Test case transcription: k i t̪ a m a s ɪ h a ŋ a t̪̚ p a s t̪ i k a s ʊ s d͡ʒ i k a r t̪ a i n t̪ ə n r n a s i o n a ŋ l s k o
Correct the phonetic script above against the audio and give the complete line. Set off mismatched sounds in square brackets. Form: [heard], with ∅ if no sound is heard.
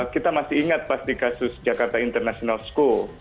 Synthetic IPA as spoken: k i t̪ a m a s ɪ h [i] ŋ a t̪̚ p a s t̪ i k a s ʊ s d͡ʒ [a] k a r t̪ a i n t̪ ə [∅] r n a s i o n a [∅] l s k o